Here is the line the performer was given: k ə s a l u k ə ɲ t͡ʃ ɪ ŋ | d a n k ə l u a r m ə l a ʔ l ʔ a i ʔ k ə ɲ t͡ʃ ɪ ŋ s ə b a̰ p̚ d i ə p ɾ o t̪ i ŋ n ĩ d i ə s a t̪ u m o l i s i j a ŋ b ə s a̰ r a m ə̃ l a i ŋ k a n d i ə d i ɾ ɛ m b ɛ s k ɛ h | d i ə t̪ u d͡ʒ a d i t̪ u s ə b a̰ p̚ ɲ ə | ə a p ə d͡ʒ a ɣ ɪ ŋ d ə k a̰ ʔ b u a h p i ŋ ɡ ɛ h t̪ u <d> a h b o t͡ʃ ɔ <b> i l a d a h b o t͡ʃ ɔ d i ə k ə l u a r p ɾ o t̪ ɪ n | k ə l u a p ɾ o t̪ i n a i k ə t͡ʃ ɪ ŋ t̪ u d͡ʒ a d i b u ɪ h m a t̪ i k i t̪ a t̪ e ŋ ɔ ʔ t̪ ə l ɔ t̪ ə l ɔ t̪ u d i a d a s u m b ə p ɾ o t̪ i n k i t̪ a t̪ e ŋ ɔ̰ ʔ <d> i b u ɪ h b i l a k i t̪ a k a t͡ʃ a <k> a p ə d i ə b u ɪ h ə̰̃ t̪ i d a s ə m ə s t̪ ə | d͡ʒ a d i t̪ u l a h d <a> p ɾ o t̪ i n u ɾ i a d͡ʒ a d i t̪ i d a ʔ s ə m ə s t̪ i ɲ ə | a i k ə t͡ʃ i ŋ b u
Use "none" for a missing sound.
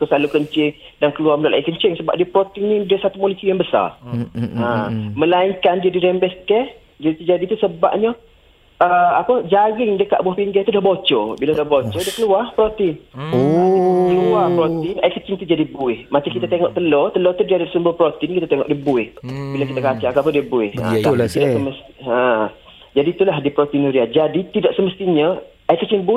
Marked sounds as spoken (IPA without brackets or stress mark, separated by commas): d, b, d, k, i